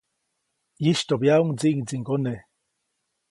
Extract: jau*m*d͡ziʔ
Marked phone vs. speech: incorrect: ŋ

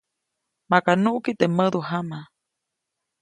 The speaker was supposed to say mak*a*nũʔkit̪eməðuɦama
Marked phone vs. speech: correct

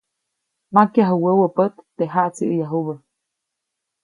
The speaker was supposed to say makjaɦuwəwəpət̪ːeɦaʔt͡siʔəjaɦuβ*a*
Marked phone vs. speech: incorrect: ə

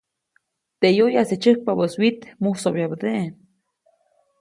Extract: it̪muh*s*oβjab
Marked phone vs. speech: correct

